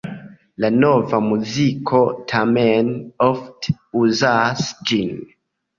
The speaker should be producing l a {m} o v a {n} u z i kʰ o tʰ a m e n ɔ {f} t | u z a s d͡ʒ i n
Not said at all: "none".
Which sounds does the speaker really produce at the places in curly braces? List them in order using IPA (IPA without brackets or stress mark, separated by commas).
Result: n, m, f